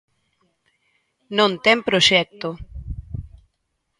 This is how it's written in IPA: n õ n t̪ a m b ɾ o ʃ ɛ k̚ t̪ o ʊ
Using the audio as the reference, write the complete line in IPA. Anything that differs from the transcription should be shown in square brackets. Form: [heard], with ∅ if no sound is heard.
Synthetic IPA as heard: n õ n t̪ [ɛ] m [p] ɾ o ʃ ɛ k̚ t̪ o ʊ